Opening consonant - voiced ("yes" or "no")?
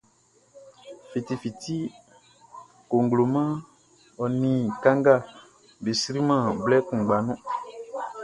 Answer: no